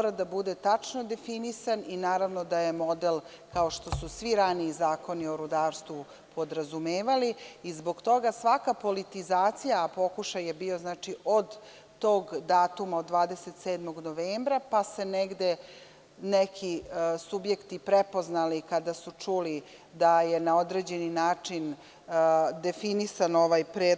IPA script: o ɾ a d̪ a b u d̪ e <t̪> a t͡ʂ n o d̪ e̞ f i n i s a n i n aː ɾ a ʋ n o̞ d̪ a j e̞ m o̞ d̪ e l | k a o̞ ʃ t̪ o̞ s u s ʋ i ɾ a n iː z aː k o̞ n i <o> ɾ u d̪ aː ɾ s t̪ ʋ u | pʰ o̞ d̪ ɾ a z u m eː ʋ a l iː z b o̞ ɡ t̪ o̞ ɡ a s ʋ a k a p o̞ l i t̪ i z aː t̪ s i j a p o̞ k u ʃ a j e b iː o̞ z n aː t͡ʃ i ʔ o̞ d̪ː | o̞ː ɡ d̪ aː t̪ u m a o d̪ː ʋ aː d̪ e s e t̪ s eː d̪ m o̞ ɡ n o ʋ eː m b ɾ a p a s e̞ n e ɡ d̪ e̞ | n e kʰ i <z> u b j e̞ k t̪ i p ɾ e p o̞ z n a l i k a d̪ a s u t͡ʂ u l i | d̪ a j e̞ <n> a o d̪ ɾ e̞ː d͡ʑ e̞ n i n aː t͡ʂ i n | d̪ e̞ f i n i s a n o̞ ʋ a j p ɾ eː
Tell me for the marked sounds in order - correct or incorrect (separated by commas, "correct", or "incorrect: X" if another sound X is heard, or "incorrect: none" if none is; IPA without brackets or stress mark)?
correct, correct, incorrect: s, correct